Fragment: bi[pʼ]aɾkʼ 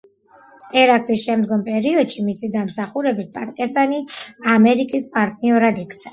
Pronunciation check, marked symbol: correct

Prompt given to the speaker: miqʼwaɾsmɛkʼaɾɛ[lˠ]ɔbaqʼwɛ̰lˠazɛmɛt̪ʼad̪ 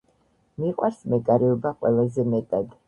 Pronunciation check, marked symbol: incorrect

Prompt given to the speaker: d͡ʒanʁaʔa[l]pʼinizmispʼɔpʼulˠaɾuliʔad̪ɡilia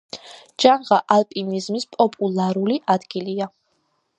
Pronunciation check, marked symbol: correct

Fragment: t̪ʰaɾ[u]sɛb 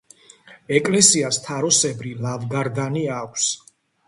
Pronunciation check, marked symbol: incorrect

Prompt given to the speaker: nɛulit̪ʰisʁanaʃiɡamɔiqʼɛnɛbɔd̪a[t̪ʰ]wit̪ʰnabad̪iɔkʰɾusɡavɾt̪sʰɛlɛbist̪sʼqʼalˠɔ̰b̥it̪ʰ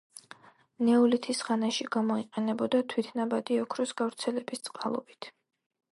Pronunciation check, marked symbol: correct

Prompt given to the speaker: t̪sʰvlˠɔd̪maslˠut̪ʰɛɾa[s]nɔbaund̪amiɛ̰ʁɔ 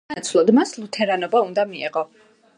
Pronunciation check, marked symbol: incorrect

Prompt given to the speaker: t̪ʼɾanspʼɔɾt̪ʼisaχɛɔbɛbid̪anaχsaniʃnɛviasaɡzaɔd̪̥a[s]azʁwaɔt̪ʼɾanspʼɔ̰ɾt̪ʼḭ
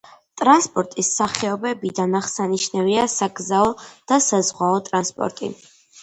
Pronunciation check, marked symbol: correct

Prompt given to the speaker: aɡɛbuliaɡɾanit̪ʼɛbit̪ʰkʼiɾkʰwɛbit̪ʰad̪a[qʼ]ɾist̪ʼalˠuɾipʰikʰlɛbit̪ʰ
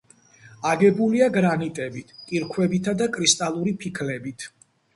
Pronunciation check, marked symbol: incorrect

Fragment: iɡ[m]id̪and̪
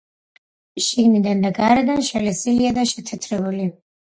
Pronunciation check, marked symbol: incorrect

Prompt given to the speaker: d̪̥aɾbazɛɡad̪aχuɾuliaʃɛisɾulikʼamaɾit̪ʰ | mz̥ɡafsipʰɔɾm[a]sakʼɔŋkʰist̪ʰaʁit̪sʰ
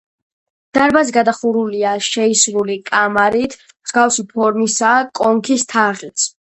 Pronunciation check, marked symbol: incorrect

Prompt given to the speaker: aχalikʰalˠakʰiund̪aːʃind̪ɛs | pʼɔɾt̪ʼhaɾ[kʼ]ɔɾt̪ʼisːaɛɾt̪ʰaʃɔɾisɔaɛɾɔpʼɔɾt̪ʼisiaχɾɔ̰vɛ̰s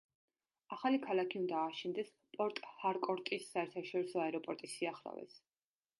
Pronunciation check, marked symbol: correct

